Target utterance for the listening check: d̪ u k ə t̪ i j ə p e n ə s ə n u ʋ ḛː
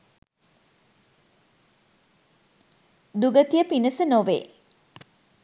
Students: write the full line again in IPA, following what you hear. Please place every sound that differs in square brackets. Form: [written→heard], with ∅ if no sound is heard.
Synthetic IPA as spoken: d̪ u [k→ɡ] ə t̪ i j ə p [e→i] n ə s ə n [u→o] ʋ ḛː